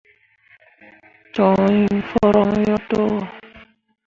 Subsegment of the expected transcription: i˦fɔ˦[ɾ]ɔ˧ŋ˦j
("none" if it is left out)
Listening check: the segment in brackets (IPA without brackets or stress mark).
ɾ